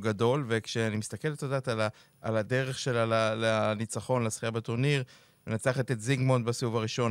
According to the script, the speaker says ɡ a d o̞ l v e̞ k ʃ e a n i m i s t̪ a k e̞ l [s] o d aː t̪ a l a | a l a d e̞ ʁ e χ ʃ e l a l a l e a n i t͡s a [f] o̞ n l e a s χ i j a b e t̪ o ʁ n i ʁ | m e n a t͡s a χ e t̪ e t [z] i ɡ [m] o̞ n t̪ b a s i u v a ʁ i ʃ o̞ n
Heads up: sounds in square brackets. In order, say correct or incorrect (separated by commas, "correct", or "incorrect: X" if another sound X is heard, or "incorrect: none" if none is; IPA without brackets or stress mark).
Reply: incorrect: t, incorrect: χ, correct, correct